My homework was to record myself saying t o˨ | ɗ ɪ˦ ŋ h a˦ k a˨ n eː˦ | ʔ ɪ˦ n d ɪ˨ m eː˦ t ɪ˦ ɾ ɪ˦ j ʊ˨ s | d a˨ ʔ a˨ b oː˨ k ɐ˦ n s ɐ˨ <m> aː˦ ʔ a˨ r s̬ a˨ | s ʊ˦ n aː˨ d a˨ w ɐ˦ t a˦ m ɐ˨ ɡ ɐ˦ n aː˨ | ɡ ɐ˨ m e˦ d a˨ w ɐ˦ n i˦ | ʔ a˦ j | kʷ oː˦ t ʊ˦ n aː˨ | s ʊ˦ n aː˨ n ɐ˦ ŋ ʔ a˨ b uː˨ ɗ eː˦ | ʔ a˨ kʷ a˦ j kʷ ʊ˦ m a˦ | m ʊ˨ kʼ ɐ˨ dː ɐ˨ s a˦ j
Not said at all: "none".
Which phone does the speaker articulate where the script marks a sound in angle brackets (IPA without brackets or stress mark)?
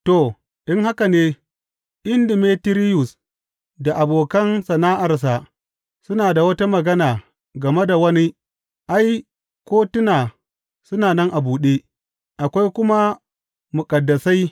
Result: n